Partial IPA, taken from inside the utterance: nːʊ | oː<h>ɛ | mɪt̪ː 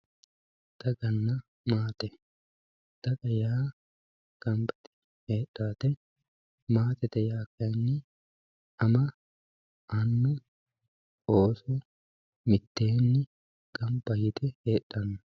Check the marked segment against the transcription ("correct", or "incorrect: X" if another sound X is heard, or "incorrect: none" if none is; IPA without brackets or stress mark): incorrect: s